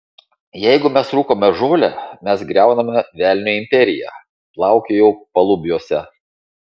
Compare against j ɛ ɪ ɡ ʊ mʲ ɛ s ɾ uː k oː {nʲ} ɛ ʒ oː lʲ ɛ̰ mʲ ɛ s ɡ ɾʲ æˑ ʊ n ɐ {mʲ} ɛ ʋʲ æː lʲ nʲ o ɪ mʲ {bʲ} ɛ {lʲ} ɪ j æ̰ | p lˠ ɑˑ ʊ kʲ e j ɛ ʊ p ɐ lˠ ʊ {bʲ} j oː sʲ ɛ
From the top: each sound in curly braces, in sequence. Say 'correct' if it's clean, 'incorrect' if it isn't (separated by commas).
incorrect, correct, incorrect, incorrect, correct